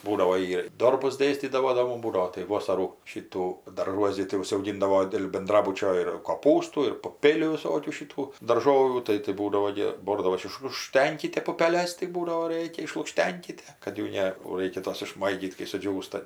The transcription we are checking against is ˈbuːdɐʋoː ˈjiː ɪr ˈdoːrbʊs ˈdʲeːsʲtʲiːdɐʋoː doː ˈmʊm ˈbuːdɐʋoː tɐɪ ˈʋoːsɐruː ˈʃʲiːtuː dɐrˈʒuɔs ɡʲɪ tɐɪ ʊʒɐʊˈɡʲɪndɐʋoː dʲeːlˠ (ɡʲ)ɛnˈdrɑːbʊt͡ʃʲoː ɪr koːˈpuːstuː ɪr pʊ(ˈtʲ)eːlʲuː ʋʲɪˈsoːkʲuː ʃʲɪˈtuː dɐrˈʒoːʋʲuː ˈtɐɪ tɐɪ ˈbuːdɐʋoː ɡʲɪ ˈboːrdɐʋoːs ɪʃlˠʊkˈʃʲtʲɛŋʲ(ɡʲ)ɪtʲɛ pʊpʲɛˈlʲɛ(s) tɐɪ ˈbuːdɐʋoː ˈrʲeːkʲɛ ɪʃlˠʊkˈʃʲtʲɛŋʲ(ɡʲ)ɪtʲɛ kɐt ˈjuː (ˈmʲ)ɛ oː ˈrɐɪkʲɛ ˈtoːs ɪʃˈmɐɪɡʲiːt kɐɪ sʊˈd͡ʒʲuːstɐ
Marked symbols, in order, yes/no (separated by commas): no, no, no, yes, no, no